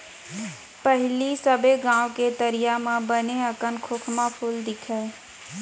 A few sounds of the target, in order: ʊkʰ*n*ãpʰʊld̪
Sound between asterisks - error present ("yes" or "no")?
yes